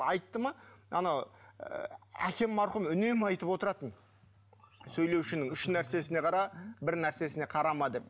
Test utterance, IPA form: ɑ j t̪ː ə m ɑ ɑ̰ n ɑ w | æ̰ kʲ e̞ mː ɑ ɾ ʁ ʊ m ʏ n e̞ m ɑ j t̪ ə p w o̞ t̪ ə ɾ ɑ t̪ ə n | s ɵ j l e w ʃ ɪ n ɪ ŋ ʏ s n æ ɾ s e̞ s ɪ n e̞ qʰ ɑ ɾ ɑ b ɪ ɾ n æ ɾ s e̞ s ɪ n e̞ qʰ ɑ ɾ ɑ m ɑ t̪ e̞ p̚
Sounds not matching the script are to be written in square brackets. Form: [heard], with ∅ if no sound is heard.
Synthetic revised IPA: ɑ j t̪ː ə m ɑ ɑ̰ n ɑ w | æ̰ kʲ e̞ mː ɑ ɾ [χ] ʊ m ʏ n e̞ m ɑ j t̪ ə p w o̞ t̪ ə ɾ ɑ t̪ ə n | s ɵ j l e w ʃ ɪ n ɪ ŋ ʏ [ʃ] n æ ɾ s e̞ s ɪ n e̞ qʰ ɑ ɾ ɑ b ɪ ɾ n æ ɾ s e̞ s ɪ n e̞ qʰ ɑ ɾ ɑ m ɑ [d̪] e̞ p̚

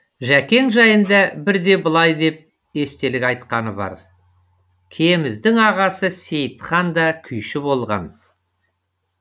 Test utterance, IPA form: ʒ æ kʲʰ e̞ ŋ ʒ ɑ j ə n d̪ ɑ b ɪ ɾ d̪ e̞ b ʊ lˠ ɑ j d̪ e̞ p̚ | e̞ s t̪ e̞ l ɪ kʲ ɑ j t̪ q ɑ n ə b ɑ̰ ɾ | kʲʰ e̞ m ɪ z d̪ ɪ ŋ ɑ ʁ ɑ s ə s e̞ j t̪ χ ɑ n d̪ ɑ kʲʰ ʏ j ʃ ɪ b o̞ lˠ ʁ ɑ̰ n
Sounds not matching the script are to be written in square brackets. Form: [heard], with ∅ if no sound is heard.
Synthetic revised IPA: ʒ æ [kʲ] e̞ ŋ ʒ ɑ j ə n d̪ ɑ b ɪ ɾ d̪ e̞ b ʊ lˠ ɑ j d̪ e̞ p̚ | e̞ s t̪ e̞ l ɪ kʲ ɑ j t̪ q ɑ n ə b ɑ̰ ɾ | kʲʰ e̞ m ɪ z d̪ ɪ ŋ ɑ ʁ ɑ s ə s e̞ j t̪ χ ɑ n d̪ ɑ kʲʰ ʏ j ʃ ɪ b o̞ lˠ ʁ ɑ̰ n

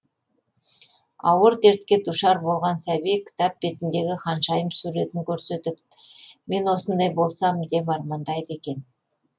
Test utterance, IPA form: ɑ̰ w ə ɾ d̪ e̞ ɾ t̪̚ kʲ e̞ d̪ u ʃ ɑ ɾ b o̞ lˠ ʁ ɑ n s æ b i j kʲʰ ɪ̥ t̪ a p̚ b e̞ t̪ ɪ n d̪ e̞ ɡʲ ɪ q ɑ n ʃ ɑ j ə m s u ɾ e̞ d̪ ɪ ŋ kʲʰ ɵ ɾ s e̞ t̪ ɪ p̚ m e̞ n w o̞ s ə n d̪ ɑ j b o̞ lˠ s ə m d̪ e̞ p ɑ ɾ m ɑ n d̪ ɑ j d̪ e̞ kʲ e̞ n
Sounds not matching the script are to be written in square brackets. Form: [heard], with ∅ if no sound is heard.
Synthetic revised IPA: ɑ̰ w ə ɾ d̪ e̞ ɾ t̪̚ kʲ e̞ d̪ u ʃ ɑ ɾ b o̞ lˠ ʁ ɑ n s æ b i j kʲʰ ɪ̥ t̪ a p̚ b e̞ t̪ ɪ n d̪ e̞ ɡʲ ɪ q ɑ n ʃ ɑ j ə m s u ɾ e̞ [t̪] ɪ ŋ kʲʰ ɵ ɾ s e̞ t̪ ɪ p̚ m e̞ n w o̞ s ə n d̪ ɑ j b o̞ lˠ s [ɑ] m d̪ e̞ p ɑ ɾ m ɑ n d̪ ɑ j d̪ e̞ kʲ e̞ n

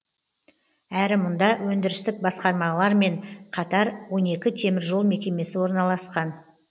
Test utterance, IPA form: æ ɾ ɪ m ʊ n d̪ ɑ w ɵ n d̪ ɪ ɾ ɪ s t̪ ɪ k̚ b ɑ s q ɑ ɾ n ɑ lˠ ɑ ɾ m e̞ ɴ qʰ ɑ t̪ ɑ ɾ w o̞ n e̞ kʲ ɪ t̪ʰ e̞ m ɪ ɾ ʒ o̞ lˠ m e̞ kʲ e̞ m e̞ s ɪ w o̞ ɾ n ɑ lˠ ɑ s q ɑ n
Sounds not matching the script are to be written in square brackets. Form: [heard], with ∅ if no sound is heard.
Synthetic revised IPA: æ ɾ ɪ m ʊ n d̪ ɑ w ɵ n d̪ ɪ ɾ ɪ s t̪ ɪ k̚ b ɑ s q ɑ ɾ [m] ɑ lˠ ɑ ɾ m e̞ ɴ qʰ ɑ t̪ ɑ ɾ w o̞ n e̞ kʲ ɪ t̪ʰ e̞ m ɪ ɾ ʒ o̞ lˠ m e̞ kʲ e̞ m e̞ s ɪ w o̞ ɾ n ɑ lˠ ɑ s q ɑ n

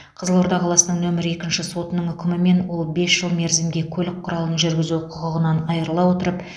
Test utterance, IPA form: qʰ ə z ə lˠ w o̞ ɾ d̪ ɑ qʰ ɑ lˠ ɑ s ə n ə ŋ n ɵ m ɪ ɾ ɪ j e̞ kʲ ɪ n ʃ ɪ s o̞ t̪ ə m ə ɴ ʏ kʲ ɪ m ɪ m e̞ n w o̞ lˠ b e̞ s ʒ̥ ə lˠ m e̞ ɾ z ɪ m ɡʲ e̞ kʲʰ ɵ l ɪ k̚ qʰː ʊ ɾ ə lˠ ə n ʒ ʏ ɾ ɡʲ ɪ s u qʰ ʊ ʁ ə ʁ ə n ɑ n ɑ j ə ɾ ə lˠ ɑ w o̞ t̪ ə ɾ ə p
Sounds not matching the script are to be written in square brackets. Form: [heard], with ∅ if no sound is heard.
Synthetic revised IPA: qʰ ə z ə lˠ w o̞ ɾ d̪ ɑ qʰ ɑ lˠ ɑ s ə n ə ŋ n ɵ m ɪ ɾ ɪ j e̞ kʲ ɪ n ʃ ɪ s o̞ t̪ ə [n] ə ɴ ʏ kʲ ɪ m ɪ m e̞ n w o̞ lˠ b e̞ s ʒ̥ ə lˠ m e̞ ɾ z ɪ m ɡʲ e̞ kʲʰ ɵ l ɪ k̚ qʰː ʊ ɾ [ɑ] lˠ ə n ʒ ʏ ɾ ɡʲ ɪ [z] u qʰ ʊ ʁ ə ʁ ə n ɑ n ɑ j ə ɾ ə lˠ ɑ w o̞ t̪ ə ɾ ə p

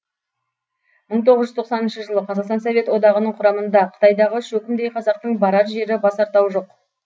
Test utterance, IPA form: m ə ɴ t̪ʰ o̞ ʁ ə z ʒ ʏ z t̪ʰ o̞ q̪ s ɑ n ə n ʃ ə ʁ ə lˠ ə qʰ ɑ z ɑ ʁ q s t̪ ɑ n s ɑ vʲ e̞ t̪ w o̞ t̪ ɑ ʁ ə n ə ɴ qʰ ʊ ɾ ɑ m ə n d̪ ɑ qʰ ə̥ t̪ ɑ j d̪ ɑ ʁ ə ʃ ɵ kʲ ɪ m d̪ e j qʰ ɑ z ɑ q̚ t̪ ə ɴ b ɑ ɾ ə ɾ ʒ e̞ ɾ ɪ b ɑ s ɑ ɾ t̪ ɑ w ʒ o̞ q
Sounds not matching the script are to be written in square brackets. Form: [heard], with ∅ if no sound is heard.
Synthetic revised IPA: m ə ɴ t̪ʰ o̞ ʁ ə z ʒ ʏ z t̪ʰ o̞ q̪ s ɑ n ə n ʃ ə [ʒ] ə lˠ ə qʰ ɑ z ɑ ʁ q s t̪ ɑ n s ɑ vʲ e̞ t̪ w o̞ [d̪] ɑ ʁ ə n ə ɴ qʰ ʊ ɾ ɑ m ə n d̪ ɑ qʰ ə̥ t̪ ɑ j d̪ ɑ ʁ ə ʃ ɵ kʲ ɪ m d̪ e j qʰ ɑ z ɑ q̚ t̪ ə ɴ b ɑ ɾ [ɑ] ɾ ʒ e̞ ɾ ɪ b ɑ s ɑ ɾ t̪ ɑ w ʒ o̞ q

